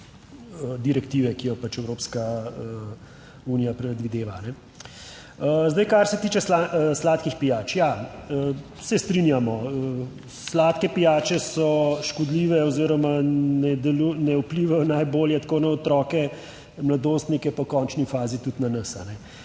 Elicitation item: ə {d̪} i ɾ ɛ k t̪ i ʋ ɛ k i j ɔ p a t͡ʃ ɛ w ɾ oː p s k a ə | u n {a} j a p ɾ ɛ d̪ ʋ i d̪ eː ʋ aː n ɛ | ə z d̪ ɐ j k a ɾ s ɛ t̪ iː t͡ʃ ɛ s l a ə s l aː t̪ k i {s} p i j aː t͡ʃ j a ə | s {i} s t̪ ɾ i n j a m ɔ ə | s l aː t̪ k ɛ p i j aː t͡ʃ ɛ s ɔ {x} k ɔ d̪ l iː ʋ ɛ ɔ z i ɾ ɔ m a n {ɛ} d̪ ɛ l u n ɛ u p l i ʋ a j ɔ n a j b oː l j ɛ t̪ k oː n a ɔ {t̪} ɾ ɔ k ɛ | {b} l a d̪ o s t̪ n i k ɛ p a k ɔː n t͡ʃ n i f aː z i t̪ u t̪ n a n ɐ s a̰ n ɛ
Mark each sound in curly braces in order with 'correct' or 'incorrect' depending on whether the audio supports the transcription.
correct, incorrect: i, incorrect: x, incorrect: ɛ, incorrect: ʃ, correct, correct, incorrect: m

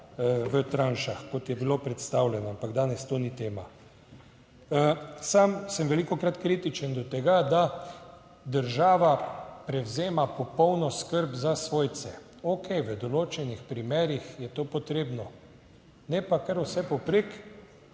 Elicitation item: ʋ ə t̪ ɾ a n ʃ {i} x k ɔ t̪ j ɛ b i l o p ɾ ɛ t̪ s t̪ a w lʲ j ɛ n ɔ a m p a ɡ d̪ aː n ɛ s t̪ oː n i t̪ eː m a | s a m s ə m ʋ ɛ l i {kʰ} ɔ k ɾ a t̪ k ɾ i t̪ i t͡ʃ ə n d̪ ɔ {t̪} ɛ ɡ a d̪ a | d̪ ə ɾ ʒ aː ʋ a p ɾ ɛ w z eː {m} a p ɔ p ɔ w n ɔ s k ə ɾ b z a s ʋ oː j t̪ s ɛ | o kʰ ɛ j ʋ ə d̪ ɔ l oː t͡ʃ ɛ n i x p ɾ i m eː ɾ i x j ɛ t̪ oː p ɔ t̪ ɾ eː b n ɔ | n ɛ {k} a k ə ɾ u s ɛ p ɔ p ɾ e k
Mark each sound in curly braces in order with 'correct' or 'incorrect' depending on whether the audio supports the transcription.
incorrect: a, incorrect: k, correct, correct, incorrect: p

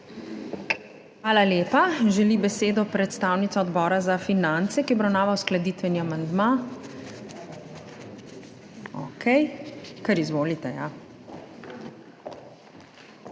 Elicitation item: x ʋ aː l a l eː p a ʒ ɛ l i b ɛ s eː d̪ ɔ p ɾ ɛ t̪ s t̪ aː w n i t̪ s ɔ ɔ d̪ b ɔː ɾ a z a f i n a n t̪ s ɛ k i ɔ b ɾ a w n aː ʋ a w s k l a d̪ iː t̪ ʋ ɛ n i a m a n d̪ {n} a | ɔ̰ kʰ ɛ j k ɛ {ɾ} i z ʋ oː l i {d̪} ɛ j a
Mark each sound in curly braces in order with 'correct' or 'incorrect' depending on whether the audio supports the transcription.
incorrect: m, correct, incorrect: t̪

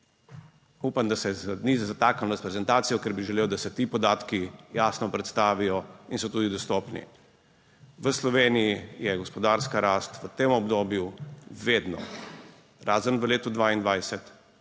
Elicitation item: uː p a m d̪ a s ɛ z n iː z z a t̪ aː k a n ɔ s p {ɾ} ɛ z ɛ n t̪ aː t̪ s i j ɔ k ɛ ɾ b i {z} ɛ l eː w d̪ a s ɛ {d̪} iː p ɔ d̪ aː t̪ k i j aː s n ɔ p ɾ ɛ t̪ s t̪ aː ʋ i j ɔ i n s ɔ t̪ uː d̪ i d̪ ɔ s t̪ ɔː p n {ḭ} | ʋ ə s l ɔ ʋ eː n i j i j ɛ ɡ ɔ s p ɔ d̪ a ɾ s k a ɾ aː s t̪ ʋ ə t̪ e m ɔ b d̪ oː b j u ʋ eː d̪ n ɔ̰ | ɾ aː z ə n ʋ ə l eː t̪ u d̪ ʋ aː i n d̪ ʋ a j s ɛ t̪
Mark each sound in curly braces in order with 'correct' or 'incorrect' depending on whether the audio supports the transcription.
correct, incorrect: ʒ, incorrect: t̪, correct

